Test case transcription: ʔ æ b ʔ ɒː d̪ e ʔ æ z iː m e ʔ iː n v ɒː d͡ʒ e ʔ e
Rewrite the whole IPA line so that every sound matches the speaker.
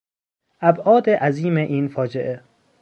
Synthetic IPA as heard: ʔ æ b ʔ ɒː d̪ e ʔ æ z iː m e ʔ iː n f ɒː d͡ʒ e ʔ e